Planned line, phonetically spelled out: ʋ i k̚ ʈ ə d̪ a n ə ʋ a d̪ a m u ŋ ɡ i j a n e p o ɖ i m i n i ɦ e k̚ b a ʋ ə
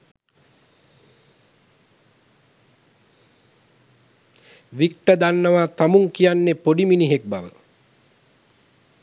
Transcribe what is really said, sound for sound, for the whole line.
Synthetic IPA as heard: ʋ i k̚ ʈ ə d̪ a nː ə ʋ a t̪ a m u ŋ k i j a nː e p o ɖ i m i n i ɦ e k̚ b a ʋ ə